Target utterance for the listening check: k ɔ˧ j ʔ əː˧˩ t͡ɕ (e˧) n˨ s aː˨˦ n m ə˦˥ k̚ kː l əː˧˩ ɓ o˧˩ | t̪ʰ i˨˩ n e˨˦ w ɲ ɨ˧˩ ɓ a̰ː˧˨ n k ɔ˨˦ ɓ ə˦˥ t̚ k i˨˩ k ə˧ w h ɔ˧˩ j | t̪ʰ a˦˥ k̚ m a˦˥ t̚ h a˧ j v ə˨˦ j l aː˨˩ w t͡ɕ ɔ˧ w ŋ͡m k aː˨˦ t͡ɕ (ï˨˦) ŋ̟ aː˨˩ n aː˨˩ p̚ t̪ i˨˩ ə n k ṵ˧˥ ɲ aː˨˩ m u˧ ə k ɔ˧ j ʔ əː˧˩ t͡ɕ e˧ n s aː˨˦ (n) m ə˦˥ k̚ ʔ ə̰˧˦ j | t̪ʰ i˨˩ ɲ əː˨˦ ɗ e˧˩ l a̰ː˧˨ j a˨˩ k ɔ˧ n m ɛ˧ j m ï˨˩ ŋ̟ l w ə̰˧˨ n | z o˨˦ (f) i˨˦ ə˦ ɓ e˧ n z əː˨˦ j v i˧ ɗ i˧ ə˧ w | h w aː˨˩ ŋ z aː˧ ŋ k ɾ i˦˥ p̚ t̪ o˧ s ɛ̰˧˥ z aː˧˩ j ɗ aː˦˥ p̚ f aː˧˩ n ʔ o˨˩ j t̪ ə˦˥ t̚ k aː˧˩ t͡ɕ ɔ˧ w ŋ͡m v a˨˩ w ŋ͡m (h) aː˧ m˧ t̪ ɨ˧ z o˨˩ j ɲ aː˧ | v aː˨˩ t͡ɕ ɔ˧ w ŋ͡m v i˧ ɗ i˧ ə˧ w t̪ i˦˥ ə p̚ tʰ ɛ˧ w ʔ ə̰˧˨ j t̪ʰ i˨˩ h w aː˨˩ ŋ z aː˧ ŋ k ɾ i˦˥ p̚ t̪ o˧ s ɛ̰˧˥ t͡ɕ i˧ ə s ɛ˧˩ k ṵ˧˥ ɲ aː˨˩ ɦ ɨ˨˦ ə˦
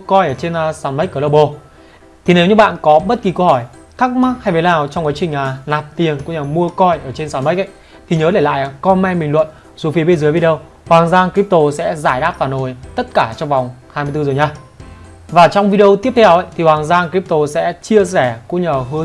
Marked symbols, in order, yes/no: yes, no, yes, yes, yes

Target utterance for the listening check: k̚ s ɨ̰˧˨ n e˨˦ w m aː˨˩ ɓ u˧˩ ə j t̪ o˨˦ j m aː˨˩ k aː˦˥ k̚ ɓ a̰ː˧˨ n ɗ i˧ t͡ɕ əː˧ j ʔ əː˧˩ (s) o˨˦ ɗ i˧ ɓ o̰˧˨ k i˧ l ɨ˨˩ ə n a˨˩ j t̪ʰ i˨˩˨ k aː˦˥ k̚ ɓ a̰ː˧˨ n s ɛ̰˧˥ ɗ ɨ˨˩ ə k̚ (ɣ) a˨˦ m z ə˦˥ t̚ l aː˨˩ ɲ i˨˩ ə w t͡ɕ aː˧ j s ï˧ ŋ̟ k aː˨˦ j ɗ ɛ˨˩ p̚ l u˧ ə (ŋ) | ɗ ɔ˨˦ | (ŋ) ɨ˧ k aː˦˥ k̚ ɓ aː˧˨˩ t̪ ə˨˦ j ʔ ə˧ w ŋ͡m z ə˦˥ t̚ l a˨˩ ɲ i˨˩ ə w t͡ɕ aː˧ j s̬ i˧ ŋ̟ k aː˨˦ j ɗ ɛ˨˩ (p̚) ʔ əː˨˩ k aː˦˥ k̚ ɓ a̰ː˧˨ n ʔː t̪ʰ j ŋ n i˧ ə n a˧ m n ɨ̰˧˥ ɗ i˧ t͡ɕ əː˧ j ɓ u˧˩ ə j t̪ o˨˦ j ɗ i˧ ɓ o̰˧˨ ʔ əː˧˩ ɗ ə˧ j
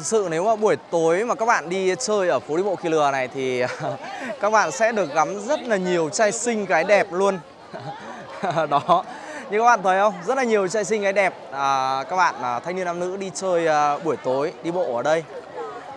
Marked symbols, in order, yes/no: no, yes, no, no, yes

